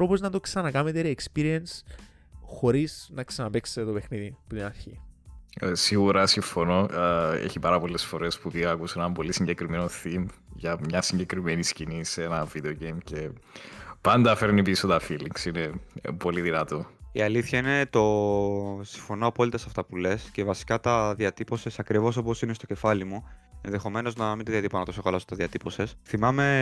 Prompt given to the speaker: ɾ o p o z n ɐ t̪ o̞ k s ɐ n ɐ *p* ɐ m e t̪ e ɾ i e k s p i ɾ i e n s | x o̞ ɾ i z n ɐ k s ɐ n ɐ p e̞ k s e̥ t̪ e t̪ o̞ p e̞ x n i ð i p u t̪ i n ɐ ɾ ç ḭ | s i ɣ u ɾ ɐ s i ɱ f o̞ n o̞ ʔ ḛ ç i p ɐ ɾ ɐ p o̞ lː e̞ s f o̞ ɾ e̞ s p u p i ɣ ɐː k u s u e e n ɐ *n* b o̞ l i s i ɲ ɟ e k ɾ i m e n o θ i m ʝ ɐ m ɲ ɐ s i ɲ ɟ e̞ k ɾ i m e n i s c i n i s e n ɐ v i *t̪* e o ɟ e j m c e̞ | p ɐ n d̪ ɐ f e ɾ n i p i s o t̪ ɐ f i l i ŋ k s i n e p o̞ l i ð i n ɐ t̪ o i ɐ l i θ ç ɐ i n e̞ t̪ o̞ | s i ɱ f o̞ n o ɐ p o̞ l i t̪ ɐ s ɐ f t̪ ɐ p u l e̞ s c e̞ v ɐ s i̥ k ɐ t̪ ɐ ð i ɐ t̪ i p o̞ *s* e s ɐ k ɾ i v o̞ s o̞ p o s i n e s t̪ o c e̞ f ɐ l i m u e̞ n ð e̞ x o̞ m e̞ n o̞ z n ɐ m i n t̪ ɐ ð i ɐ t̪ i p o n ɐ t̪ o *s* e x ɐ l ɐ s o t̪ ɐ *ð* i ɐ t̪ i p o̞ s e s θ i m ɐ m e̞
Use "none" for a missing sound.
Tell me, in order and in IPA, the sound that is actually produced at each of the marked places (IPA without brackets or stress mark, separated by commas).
k, m, d̪, s, s, ð